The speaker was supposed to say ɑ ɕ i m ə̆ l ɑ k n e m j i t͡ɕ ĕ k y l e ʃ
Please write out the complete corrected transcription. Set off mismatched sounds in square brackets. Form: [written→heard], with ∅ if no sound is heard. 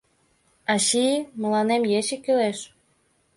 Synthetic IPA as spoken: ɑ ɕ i m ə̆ l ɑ [k→∅] n e m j [i→e] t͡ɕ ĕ k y l e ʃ